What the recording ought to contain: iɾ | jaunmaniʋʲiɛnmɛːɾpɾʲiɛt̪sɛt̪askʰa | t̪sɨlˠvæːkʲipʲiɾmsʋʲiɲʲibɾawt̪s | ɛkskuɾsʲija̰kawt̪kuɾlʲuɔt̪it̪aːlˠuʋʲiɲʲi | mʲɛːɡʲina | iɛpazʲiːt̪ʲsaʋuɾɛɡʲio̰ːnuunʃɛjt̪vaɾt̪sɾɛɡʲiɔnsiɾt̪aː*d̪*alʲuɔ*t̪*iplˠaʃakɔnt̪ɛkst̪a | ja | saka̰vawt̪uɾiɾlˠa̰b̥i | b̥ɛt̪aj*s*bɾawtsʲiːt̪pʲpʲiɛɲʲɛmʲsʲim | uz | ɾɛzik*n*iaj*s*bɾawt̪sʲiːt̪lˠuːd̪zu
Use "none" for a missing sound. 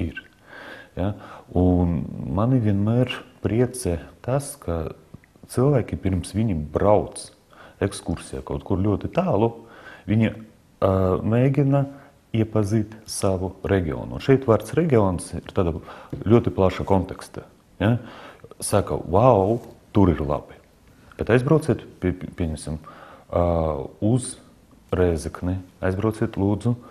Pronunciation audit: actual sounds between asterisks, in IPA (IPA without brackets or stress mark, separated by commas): d̪, t̪, z, n, z